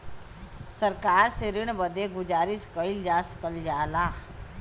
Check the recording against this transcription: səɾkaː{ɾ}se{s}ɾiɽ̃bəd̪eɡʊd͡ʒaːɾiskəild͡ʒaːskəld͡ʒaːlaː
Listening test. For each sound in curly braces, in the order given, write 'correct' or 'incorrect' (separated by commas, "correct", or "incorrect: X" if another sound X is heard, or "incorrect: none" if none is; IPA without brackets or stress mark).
correct, incorrect: none